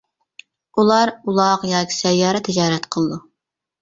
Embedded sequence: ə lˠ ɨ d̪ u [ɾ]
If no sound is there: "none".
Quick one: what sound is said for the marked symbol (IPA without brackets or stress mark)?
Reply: none